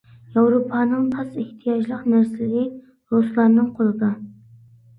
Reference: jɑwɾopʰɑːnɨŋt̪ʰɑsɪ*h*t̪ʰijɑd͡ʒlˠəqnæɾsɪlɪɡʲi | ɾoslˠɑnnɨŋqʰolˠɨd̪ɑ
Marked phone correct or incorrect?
correct